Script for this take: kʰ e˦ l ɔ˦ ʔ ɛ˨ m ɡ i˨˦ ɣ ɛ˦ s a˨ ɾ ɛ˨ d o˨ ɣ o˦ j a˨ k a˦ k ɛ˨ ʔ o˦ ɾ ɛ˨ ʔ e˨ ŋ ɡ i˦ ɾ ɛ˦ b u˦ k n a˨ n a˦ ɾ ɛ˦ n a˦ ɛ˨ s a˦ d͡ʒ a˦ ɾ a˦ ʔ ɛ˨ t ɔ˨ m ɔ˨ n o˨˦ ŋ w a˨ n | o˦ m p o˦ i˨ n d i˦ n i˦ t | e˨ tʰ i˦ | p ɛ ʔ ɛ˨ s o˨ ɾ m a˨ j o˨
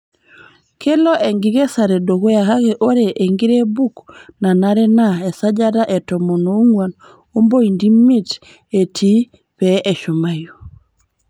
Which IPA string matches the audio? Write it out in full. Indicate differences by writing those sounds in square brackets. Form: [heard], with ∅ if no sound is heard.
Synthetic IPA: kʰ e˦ l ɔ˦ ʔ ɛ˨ [ŋ] ɡ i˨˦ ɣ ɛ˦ s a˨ ɾ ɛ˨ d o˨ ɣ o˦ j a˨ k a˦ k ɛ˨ ʔ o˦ ɾ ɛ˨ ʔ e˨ ŋ ɡ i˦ ɾ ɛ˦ b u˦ k n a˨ n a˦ ɾ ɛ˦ n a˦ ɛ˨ s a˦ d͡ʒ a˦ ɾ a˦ ʔ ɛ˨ t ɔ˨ m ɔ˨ n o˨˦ ŋ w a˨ n | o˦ m [b] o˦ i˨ n d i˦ [m] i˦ t | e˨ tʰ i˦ | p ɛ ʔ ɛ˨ [ʃ] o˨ [∅] m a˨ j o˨